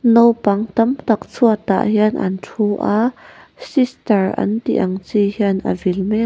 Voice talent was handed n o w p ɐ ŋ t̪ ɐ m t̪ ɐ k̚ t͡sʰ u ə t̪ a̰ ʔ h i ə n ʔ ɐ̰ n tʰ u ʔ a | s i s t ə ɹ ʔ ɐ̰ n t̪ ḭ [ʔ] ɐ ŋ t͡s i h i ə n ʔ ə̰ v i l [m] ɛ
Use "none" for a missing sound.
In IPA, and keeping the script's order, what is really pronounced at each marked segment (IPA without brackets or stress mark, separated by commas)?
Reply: ʔ, m